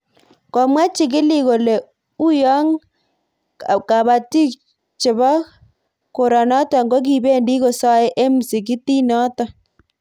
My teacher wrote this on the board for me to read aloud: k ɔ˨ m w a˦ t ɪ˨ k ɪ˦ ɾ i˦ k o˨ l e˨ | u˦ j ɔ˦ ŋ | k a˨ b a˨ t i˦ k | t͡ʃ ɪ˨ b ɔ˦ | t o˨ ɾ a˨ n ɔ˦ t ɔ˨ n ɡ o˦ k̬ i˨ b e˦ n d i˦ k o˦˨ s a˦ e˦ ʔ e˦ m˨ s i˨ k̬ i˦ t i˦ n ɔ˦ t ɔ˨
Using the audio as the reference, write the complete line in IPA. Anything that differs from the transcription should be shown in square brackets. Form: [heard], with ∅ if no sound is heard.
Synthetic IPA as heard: k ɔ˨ m w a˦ [t͡ʃ] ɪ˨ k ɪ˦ [l] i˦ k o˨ l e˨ | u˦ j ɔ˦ ŋ | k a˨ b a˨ t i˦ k | t͡ʃ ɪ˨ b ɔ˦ | [k] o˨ ɾ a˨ n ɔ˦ t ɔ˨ [ŋ] ɡ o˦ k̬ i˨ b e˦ n d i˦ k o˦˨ s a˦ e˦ ʔ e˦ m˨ s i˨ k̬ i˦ t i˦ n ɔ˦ t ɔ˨